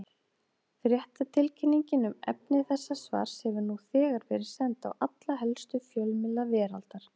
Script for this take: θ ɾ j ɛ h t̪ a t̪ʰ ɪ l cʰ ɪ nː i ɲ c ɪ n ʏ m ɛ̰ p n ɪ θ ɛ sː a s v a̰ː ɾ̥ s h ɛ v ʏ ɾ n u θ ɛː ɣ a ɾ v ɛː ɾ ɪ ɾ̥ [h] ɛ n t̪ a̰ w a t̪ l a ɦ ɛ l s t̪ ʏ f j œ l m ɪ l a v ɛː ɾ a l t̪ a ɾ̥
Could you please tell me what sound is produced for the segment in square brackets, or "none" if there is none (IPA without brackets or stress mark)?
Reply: s